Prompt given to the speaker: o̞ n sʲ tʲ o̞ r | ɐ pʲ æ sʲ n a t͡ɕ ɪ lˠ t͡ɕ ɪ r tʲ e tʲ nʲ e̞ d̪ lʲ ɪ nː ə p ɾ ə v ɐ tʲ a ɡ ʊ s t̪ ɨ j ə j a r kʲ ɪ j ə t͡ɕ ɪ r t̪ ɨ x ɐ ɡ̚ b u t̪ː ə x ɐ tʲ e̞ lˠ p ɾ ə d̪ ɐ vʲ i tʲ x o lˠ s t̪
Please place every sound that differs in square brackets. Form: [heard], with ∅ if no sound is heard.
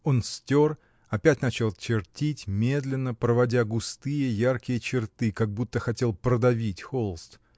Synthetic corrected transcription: o̞ n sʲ tʲ o̞ r | ɐ pʲ æ [tʲ] n a t͡ɕ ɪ lˠ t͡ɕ ɪ r tʲ [i] tʲ [mʲ] e̞ d̪ lʲ ɪ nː ə p ɾ ə v ɐ [dʲ] a ɡ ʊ s t̪ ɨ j ə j a r kʲ ɪ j ə t͡ɕ ɪ r t̪ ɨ [k] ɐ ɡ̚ b u t̪ː ə x ɐ tʲ e̞ lˠ p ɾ ə d̪ ɐ vʲ i tʲ x o lˠ s t̪